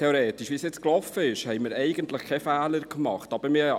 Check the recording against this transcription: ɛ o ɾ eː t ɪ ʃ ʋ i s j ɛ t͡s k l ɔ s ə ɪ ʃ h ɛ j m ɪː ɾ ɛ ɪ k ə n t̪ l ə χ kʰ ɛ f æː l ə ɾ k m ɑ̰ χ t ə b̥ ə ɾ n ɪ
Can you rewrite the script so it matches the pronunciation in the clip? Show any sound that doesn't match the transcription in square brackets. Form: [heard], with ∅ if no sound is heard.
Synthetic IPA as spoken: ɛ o ɾ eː t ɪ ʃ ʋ i s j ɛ t͡s k l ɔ [f] ə ɪ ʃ h ɛ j m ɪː ɾ ɛ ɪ [ɡ] ə n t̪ l ə χ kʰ ɛ f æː l ə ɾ k m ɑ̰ χ t [ɑ] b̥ ə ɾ [m] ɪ